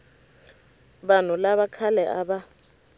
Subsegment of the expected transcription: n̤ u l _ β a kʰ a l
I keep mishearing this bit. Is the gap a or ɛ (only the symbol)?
a